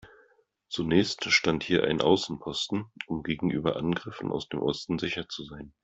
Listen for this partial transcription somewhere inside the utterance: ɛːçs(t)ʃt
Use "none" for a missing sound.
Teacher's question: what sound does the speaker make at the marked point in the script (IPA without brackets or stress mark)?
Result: t